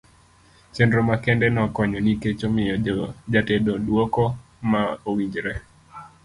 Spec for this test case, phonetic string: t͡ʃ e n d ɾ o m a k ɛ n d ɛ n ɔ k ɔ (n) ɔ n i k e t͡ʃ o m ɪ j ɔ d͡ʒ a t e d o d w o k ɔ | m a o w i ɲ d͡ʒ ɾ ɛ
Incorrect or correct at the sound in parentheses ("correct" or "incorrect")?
incorrect